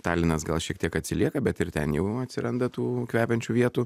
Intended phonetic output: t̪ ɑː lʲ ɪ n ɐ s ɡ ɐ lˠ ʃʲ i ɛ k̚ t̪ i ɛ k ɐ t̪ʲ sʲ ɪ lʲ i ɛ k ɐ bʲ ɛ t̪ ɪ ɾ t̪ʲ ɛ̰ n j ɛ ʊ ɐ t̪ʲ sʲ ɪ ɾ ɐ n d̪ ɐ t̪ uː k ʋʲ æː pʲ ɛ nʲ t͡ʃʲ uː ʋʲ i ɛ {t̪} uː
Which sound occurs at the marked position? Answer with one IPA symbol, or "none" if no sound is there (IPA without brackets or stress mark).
t̪